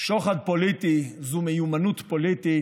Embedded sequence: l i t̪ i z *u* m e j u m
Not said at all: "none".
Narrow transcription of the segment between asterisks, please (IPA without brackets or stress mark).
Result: u